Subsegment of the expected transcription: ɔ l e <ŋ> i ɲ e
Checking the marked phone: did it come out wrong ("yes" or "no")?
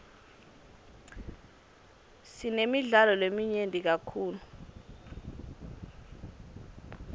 yes